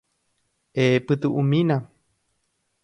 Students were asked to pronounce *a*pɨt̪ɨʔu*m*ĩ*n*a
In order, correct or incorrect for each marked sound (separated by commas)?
incorrect, correct, correct